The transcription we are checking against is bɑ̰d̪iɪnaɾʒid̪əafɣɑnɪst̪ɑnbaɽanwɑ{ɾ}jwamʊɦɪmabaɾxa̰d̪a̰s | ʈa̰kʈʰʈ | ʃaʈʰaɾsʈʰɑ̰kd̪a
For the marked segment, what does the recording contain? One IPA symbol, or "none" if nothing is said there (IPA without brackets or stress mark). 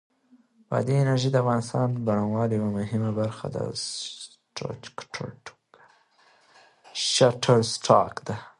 l